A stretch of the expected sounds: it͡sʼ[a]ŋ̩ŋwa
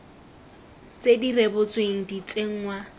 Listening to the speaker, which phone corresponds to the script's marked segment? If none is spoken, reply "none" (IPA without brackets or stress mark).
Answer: e